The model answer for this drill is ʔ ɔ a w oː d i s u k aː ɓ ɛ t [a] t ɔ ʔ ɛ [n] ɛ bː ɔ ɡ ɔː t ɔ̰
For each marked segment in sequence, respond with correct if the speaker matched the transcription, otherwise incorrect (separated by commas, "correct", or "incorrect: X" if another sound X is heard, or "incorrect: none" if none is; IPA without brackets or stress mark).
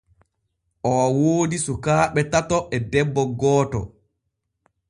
correct, incorrect: d